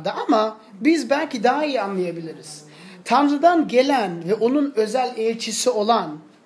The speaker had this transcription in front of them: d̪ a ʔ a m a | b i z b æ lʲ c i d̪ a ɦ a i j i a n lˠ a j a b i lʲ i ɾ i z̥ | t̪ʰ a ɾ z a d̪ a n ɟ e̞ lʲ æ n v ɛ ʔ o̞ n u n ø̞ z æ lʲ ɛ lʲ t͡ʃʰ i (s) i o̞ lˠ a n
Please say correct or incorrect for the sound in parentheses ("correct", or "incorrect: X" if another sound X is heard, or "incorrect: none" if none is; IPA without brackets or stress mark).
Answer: correct